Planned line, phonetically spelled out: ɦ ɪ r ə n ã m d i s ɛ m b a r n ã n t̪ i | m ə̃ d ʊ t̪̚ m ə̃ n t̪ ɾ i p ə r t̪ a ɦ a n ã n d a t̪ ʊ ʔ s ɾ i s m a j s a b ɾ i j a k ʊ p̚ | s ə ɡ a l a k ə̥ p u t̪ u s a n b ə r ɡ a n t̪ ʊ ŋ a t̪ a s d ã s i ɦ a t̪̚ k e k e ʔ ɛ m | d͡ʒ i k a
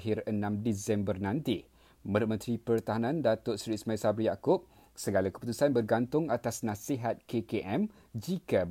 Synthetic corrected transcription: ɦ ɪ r ə n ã m d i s ɛ m b ə r n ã n t̪ i | m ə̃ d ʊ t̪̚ m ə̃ n t̪ ɾ i p ə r t̪ a ɦ a n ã n d a t̪ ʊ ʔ s ɾ i s m a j s a b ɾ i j a k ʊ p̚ | s ə ɡ a l a k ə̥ p u t̪ u s a n b ə r ɡ a n t̪ ʊ ŋ a t̪ a s n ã s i ɦ a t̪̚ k e k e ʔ ɛ m | d͡ʒ i k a